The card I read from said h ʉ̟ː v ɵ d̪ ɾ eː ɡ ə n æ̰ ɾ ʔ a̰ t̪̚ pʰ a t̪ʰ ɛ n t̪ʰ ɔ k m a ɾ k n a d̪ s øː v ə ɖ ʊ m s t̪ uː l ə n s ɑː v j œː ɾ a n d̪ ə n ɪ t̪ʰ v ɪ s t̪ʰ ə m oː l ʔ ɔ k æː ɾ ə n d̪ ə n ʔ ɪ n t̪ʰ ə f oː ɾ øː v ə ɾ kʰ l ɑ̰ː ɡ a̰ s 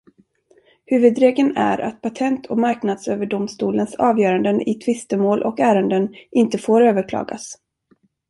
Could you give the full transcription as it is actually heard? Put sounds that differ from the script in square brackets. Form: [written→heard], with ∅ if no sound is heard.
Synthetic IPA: h ʉ̟ː v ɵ d̪ ɾ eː ɡ ə n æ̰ ɾ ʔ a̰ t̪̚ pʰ a t̪ʰ ɛ n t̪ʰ ɔ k m a ɾ k n a d̪ s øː v ə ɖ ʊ m s t̪ uː l ə n s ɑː v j œː ɾ a n d̪ ə n ɪ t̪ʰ v ɪ s [t̪ʰ→t̪] ə m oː l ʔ ɔ k æː ɾ ə n d̪ ə n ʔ ɪ n [t̪ʰ→t̪] ə f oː ɾ øː v ə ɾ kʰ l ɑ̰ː ɡ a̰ s